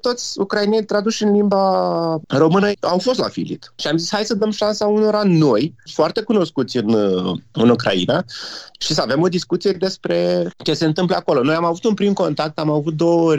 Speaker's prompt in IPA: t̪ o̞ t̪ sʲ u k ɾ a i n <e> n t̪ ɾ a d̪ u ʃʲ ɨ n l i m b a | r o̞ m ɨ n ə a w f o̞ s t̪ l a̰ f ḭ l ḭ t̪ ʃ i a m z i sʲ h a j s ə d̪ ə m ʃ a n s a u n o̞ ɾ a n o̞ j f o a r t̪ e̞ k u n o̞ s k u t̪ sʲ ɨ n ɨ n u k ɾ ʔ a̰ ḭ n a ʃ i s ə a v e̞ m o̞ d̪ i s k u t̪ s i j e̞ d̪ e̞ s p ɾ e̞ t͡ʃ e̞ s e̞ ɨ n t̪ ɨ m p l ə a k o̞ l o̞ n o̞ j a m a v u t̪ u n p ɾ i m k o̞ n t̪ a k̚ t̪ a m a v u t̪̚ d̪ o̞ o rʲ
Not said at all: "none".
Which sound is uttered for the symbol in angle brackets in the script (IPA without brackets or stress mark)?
e